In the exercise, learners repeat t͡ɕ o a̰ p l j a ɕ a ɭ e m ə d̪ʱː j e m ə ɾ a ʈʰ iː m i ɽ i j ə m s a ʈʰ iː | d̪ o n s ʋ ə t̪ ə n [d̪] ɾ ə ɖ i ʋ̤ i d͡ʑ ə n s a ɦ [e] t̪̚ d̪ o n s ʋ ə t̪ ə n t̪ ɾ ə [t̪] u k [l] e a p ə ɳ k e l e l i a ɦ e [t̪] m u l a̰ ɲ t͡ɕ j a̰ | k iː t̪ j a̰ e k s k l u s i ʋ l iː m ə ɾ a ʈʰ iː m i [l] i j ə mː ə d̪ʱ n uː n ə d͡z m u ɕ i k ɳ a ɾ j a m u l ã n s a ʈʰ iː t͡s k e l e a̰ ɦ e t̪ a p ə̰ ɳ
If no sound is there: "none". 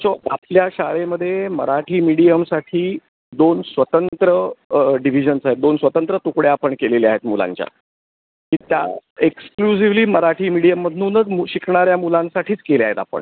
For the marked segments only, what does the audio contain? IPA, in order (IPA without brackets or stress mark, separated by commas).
t̪, e, t̪, ɽ, t̪, ɽ